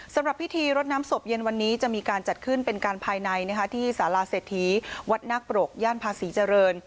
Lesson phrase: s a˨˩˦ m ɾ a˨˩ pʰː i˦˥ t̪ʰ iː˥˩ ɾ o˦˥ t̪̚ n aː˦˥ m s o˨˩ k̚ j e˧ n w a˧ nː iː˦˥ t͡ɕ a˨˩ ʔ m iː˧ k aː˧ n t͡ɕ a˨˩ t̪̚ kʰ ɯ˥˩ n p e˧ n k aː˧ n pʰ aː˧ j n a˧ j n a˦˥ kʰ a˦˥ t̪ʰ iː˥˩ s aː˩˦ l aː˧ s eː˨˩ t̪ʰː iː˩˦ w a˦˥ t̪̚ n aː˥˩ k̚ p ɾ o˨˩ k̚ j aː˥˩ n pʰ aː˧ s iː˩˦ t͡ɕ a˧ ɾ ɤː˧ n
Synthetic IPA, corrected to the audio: s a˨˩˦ m ɾ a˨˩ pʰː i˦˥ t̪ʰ iː˧ ɾ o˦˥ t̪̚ n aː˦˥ m s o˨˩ p̚ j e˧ n w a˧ nː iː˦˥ t͡ɕ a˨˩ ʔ m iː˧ k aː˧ n t͡ɕ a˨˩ t̪̚ kʰ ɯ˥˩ n p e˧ n k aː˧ n pʰ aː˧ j n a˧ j n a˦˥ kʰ a˦˥ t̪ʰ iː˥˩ s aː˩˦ l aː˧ s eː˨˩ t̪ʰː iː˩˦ w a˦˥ t̪̚ n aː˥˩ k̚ p ɾ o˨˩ k̚ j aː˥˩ n pʰ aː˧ s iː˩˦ t͡ɕ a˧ ɾ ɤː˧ n